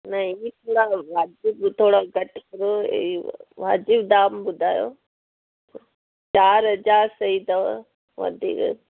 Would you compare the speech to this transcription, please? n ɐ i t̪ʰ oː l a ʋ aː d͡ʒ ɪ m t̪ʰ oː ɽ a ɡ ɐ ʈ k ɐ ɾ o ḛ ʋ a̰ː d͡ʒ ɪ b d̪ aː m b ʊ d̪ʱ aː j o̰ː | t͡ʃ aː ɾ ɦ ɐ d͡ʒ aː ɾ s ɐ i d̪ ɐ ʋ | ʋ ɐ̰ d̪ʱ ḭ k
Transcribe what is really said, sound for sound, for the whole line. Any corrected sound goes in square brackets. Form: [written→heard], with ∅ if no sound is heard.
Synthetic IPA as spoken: n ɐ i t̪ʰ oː [l→ɽ] a ʋ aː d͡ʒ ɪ [m→b] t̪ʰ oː ɽ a ɡ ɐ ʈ k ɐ ɾ o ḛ ʋ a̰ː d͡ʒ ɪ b d̪ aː m b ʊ d̪ʱ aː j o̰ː | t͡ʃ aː ɾ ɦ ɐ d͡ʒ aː ɾ s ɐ i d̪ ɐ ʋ | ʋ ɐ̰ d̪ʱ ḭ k